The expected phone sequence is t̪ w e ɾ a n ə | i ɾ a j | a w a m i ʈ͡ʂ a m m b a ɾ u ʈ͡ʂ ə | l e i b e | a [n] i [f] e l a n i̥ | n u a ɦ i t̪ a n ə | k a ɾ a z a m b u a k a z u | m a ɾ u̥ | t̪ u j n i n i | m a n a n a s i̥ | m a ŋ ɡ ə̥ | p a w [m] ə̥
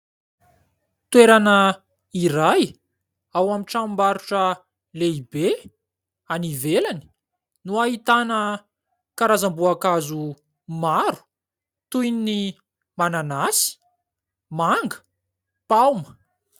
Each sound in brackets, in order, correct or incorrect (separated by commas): correct, incorrect, correct